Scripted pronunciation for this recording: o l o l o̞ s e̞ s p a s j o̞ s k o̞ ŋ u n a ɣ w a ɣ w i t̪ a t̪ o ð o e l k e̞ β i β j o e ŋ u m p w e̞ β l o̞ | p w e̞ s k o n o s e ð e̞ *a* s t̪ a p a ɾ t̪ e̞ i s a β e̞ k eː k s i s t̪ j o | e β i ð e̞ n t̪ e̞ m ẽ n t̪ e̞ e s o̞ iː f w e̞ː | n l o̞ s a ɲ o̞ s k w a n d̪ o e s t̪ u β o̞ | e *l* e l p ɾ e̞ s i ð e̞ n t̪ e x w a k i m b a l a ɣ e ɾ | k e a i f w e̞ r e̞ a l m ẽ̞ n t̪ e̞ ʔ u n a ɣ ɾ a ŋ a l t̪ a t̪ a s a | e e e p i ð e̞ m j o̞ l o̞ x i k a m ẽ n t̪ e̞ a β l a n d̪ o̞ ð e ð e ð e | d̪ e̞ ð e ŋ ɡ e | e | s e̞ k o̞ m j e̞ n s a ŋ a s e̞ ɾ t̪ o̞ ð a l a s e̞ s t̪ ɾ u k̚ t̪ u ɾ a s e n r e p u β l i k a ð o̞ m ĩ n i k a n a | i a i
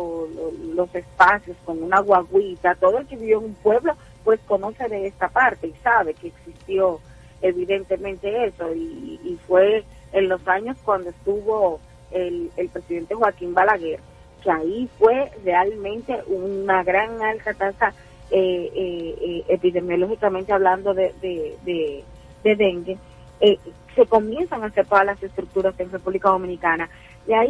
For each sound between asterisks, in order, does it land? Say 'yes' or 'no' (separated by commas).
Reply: no, yes